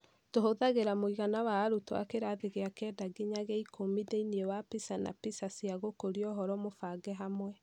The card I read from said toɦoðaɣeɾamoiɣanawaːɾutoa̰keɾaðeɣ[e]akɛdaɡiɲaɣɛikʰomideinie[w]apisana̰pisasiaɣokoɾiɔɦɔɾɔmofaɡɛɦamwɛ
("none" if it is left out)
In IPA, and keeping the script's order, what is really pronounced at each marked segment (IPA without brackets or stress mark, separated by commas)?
e, w